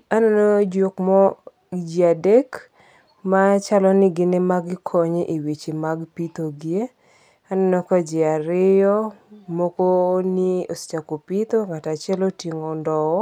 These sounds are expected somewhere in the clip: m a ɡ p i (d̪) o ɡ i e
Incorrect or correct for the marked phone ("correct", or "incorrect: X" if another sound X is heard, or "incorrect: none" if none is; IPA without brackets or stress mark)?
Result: incorrect: t̪